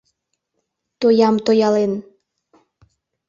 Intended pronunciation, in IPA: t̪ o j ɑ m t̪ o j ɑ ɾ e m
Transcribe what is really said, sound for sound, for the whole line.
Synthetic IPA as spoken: t̪ o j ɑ m t̪ o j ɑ l e n